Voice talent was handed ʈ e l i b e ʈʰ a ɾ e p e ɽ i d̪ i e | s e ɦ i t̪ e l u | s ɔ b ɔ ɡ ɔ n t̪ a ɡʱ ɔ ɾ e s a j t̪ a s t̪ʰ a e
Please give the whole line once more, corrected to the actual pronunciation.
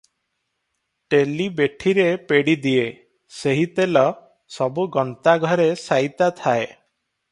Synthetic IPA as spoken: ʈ e l i b e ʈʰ i ɾ e p e ɽ i d̪ i e | s e ɦ i t̪ e l ɔ | s ɔ b u ɡ ɔ n t̪ a ɡʱ ɔ ɾ e s a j t̪ a t̪ʰ a e